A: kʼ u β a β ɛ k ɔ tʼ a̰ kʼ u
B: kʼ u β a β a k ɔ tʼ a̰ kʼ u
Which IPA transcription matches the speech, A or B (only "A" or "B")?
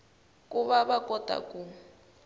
B